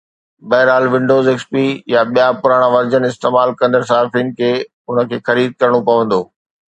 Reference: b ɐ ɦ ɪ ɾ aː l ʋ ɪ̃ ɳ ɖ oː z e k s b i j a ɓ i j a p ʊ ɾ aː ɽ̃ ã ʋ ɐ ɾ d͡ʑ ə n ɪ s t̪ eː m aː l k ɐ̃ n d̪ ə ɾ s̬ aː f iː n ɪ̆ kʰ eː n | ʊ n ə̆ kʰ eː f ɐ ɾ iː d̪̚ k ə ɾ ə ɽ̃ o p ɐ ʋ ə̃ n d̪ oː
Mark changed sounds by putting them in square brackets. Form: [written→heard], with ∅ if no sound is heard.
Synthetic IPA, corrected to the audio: b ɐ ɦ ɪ ɾ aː l ʋ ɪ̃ ɳ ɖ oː z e k s [b→p] i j a ɓ i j a p ʊ ɾ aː ɽ̃ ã ʋ ɐ ɾ d͡ʑ ə n ɪ s t̪ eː m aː l k ɐ̃ n d̪ ə ɾ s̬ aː f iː n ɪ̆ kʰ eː [n→∅] | ʊ n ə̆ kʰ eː [f→x] ɐ ɾ iː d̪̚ k [ə→ɐ] ɾ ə ɽ̃ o p ɐ ʋ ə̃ n d̪ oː